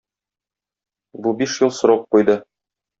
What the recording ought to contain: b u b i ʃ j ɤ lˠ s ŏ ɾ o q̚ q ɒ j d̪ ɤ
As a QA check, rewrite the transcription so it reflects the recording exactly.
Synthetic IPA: b u b i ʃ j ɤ lˠ s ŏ ɾ o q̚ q u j d̪ ɤ